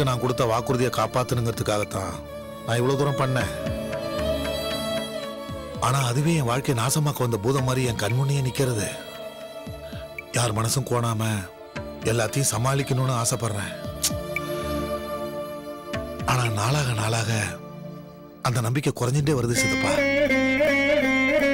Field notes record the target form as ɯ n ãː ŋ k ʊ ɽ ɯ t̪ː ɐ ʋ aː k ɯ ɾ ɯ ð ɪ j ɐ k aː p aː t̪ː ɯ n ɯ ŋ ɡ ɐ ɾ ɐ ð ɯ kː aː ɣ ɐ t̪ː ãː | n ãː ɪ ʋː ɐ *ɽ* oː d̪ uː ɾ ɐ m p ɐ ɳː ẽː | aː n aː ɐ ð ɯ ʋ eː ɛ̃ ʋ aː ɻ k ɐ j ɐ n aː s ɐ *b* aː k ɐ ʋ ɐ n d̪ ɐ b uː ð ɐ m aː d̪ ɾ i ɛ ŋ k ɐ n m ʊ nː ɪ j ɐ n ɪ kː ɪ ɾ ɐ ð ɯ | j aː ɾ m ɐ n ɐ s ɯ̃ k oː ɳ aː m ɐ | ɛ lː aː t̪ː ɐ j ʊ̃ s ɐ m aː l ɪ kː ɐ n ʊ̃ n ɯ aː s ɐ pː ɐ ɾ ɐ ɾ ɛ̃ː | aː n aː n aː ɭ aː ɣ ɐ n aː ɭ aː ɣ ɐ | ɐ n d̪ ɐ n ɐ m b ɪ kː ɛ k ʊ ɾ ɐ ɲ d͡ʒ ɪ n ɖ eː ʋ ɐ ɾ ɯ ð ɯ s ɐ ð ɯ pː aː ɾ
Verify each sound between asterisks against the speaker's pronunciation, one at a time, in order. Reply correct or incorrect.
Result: incorrect, incorrect

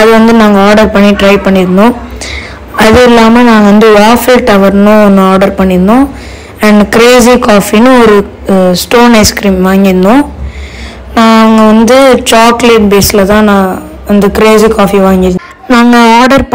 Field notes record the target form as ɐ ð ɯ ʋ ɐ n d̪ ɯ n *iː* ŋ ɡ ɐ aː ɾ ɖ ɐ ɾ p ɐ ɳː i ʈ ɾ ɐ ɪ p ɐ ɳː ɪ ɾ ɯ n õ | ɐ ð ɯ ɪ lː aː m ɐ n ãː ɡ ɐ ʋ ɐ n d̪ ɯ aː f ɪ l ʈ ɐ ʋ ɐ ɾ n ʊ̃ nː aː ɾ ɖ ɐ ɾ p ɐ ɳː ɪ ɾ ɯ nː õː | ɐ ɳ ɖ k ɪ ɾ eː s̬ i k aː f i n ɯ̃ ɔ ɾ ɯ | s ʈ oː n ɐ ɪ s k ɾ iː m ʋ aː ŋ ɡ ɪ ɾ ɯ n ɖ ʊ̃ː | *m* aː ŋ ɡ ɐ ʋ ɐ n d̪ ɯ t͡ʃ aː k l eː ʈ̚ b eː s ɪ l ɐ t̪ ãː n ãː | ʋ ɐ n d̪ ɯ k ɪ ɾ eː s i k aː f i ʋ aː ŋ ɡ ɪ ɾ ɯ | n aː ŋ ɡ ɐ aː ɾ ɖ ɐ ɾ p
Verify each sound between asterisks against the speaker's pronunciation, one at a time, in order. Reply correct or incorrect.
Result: incorrect, incorrect

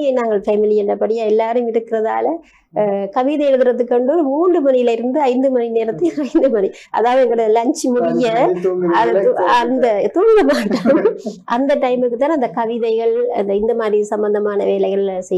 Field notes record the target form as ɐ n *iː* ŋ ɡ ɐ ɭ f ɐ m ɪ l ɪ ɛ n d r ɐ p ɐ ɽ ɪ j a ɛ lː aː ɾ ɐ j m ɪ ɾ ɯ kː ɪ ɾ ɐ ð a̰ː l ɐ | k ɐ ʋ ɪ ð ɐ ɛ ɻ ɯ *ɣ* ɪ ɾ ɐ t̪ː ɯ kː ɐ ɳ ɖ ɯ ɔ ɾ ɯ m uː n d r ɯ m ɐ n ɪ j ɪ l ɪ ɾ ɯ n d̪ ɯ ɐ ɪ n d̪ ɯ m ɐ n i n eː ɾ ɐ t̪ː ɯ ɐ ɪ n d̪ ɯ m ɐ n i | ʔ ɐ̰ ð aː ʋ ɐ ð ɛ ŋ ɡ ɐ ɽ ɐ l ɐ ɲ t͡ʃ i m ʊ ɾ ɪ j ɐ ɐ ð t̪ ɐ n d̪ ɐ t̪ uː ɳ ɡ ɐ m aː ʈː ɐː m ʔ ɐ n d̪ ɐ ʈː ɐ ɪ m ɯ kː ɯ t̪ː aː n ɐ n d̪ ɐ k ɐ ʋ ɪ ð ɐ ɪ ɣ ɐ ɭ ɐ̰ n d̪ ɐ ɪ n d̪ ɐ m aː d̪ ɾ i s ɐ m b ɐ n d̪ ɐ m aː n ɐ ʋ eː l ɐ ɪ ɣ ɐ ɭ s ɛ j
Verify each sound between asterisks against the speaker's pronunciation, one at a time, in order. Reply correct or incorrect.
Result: incorrect, incorrect

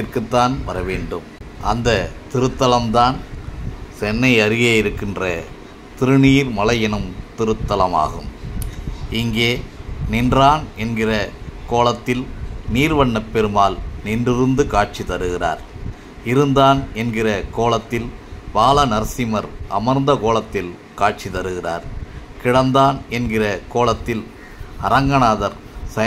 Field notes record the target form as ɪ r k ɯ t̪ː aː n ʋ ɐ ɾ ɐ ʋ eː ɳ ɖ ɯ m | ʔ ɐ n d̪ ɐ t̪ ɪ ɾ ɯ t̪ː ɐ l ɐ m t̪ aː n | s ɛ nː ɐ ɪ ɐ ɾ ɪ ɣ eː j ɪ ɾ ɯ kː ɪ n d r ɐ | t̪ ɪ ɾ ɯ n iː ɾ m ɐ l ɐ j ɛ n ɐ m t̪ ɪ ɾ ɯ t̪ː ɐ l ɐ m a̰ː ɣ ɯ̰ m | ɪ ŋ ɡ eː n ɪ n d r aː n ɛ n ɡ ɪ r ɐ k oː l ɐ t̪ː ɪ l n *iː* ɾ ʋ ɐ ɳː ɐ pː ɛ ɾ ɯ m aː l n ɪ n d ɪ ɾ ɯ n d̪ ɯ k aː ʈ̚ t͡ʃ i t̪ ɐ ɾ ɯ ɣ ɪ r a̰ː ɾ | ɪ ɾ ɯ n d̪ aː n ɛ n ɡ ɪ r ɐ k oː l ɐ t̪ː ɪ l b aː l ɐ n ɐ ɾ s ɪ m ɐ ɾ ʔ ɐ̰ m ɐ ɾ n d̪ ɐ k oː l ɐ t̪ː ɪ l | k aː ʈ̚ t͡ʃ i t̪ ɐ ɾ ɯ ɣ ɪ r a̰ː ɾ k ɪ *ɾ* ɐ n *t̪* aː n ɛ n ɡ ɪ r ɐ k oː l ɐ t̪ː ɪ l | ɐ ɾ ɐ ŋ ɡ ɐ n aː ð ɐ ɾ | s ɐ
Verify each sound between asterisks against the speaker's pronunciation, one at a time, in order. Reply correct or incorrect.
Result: correct, incorrect, incorrect

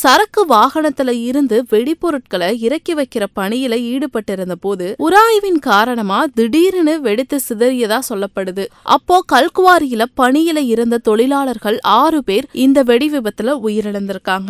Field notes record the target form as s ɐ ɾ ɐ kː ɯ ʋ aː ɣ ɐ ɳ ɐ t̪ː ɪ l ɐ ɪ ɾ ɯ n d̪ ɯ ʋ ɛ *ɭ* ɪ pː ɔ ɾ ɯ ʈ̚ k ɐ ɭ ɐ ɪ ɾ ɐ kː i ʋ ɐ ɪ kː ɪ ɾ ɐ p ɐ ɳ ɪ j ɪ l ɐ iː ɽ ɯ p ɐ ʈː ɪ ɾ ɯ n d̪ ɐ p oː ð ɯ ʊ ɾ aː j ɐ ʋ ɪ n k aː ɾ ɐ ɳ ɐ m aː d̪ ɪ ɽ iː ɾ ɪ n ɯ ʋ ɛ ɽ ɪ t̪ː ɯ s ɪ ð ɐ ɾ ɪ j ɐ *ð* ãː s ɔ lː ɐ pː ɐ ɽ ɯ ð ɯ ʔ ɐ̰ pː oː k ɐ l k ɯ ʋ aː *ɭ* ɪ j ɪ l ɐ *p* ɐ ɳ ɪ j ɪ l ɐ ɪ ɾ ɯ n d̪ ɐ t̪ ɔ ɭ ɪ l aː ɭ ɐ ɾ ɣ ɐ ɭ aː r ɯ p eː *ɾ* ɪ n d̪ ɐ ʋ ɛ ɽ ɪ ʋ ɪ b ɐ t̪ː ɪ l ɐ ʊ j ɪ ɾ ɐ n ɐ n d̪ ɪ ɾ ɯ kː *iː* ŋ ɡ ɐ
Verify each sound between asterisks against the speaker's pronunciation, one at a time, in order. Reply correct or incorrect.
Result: incorrect, correct, incorrect, correct, correct, incorrect

